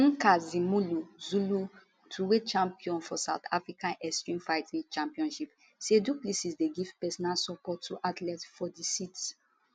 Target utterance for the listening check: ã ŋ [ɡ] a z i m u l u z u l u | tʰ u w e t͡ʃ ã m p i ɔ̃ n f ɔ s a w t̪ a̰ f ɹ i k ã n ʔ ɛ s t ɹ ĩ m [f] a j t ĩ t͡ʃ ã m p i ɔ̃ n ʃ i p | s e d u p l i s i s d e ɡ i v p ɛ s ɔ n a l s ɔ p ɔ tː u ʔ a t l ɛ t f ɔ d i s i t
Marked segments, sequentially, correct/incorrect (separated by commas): incorrect, correct